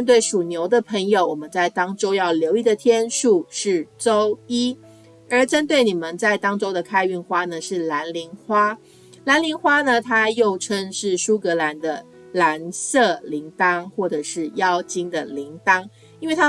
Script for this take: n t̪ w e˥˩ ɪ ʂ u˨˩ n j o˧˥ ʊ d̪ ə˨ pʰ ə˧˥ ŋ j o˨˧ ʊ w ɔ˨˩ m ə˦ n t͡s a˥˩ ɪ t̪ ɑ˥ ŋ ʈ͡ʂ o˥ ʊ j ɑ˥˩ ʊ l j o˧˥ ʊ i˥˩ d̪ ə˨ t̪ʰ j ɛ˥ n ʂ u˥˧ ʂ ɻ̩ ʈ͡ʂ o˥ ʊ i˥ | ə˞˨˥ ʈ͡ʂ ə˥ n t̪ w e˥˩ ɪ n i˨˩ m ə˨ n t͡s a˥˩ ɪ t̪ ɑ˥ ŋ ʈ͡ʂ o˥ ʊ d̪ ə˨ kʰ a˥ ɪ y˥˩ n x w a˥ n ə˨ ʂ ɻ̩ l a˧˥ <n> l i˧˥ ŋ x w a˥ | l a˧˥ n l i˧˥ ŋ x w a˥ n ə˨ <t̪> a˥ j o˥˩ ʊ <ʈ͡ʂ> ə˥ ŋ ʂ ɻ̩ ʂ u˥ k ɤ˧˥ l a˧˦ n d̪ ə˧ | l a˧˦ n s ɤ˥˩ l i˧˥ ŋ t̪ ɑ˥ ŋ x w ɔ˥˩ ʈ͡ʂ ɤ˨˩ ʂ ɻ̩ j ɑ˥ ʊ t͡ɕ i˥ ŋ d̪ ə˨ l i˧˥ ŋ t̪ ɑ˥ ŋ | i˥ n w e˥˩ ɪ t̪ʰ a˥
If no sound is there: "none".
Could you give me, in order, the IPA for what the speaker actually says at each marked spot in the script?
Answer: n, t̪ʰ, ʈ͡ʂʰ

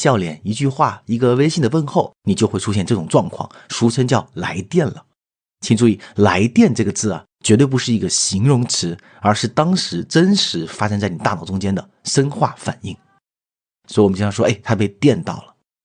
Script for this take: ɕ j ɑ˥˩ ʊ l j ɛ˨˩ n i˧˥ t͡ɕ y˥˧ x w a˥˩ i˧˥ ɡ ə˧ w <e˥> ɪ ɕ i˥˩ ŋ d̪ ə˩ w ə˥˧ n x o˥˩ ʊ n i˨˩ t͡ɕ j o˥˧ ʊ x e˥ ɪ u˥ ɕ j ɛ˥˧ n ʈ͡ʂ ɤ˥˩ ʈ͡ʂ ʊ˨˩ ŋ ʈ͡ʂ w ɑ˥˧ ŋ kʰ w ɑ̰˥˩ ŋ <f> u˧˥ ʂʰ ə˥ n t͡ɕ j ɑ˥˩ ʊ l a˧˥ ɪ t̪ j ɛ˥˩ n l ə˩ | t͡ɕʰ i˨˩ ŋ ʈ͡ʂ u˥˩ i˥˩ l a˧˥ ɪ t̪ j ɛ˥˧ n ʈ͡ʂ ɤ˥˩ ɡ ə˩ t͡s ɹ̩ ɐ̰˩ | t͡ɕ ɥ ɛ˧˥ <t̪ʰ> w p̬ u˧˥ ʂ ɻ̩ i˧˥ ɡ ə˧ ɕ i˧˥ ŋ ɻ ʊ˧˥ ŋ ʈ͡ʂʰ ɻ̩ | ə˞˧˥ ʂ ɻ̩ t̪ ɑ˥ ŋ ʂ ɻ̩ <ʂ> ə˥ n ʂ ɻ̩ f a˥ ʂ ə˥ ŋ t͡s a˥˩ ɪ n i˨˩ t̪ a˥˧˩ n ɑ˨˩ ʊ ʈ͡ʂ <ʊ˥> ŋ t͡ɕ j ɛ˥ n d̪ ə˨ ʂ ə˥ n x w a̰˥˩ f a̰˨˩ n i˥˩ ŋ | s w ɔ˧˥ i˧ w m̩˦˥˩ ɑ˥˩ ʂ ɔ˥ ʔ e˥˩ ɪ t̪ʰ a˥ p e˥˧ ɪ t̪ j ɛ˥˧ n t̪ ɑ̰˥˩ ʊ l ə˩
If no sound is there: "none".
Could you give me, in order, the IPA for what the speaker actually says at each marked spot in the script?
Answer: e˥, ʂ, t̪, ʈ͡ʂ, ʊ˥

